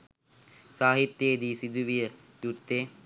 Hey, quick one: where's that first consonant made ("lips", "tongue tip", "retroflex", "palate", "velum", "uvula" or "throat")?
tongue tip